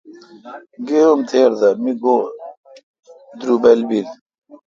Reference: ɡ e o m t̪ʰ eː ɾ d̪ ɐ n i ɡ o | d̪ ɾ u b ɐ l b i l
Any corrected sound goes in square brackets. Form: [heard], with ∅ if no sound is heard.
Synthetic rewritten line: ɡ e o m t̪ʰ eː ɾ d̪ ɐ [m] i ɡ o | d̪ ɾ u b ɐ l b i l